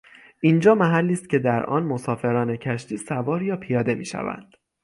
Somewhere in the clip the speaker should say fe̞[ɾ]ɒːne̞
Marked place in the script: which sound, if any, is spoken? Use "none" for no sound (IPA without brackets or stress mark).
ɾ